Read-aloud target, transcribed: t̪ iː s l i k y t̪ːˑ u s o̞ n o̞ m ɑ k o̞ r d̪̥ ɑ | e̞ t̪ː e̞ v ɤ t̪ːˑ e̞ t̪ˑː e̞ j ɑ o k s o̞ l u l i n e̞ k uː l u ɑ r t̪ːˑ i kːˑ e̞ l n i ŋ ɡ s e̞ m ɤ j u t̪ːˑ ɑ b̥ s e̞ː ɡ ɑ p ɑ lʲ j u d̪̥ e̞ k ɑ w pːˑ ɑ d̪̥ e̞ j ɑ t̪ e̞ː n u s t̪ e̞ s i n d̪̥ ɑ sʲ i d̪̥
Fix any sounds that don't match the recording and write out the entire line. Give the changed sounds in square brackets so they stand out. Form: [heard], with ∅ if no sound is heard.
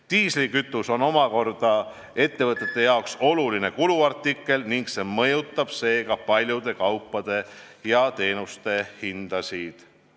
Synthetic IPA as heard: t̪ iː s l i k y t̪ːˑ u s o̞ n o̞ m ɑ k o̞ r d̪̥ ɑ | e̞ t̪ː e̞ v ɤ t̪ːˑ e̞ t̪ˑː e̞ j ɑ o k s o̞ l u l i n e̞ k [u] l u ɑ r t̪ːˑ i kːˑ e̞ l n i ŋ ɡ s e̞ m ɤ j u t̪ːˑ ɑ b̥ s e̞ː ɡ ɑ p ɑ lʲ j u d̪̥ e̞ k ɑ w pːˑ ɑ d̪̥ e̞ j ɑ t̪ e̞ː n u s t̪ e̞ [h] i n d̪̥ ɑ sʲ i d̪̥